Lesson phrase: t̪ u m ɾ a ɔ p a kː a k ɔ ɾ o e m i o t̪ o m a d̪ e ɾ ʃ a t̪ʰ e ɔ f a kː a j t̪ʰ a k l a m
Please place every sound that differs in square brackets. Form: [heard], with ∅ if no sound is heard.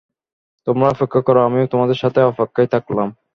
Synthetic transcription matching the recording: t̪ [o] m ɾ a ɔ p [e] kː a k ɔ ɾ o [a] m i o t̪ o m a d̪ e ɾ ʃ a t̪ʰ e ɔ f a kː a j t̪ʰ a k l a m